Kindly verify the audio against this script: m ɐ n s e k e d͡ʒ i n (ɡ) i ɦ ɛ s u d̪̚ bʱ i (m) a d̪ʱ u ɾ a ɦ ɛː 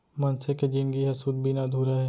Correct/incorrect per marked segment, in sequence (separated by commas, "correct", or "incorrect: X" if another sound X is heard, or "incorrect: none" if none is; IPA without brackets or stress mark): correct, incorrect: n